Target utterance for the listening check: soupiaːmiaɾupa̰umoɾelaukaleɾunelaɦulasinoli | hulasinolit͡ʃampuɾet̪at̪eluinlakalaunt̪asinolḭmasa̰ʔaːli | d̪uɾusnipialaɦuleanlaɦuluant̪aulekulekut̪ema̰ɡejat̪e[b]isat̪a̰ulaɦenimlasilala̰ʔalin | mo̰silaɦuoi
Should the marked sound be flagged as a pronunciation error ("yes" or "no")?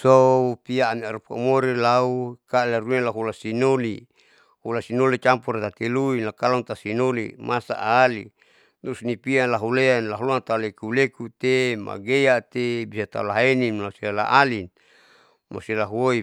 no